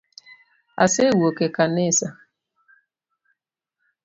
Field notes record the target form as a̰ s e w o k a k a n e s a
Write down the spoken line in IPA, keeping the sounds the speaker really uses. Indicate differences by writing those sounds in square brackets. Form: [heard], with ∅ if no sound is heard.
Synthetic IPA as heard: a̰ s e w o k [e] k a n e s a